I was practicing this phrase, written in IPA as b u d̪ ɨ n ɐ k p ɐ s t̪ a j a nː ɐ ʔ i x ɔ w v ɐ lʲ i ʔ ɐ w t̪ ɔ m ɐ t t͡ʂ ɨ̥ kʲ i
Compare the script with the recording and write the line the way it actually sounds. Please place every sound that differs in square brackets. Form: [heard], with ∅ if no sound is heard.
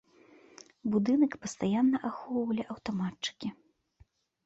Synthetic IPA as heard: b u d̪ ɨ n ɐ k p ɐ s t̪ a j a nː ɐ ʔ [a] x ɔ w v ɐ lʲ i ʔ ɐ w t̪ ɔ m [a] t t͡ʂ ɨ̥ kʲ i